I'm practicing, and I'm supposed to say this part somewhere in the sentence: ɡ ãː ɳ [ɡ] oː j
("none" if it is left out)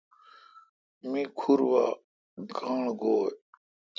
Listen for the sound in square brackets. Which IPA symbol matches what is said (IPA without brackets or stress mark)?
ɡ